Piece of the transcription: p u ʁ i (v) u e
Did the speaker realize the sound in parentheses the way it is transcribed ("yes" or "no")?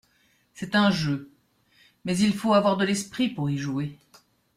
no